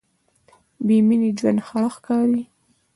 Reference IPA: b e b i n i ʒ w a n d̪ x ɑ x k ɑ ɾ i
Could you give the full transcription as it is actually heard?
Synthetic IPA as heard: b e m i n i d͡ʒ w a n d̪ x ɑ x k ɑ ɾ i